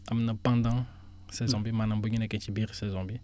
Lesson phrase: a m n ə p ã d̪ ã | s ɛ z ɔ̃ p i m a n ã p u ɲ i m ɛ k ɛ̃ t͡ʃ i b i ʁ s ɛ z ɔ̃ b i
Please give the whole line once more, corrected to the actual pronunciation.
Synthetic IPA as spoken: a m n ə p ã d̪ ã | s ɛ z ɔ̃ b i m a n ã b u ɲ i n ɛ k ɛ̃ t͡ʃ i b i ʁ s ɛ z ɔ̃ b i